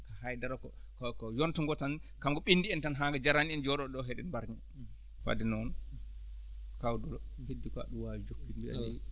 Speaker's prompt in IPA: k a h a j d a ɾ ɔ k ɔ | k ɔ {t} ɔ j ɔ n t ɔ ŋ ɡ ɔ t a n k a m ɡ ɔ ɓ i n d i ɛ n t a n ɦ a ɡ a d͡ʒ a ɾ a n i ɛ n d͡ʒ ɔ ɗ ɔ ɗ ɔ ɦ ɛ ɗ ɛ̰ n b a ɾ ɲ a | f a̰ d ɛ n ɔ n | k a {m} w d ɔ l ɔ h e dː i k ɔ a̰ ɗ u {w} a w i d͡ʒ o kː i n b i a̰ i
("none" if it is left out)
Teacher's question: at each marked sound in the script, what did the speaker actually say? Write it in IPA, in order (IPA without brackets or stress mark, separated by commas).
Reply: k, none, w